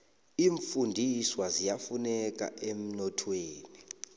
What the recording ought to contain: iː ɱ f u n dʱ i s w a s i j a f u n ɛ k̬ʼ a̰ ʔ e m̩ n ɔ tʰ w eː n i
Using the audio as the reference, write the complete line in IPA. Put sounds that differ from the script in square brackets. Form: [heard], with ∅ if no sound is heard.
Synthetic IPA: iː ɱ f u n dʱ i s w a [z] i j a f u n ɛ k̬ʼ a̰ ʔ e m̩ n ɔ tʰ w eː n i